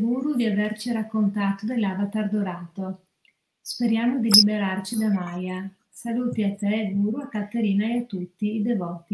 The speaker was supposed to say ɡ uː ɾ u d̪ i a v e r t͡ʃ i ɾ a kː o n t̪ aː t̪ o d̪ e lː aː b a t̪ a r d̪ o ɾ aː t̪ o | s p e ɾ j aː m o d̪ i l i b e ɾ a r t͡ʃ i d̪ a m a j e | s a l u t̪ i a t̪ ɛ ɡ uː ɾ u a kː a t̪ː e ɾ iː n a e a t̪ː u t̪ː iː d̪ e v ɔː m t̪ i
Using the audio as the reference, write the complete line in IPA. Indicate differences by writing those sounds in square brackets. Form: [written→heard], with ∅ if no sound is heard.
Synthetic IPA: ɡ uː ɾ u d̪ i a v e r t͡ʃ i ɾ a kː o n t̪ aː t̪ o d̪ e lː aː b a t̪ a r d̪ o ɾ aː t̪ o | s p e ɾ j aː m o d̪ i l i b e ɾ a r t͡ʃ i d̪ a m a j [e→a] | s a l u t̪ i a t̪ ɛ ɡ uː ɾ u a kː a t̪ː e ɾ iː n a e a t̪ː u t̪ː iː d̪ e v ɔː [m→∅] t̪ i